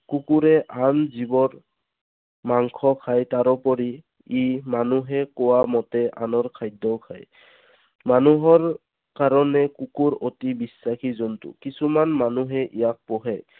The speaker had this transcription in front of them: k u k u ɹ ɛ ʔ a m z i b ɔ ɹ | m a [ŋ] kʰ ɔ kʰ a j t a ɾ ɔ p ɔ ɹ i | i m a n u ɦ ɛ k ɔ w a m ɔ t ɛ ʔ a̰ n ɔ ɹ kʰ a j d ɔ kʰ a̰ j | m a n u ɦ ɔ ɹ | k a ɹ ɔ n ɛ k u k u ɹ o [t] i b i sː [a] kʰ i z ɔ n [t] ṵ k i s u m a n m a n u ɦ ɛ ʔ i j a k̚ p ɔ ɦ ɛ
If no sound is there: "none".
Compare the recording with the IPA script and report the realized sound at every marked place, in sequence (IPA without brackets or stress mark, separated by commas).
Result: ŋ, t, a, t